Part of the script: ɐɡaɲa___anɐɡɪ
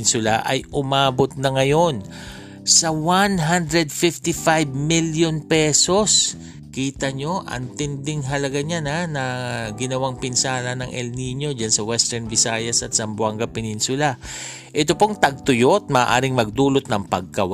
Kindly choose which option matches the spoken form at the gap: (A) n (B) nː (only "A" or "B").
A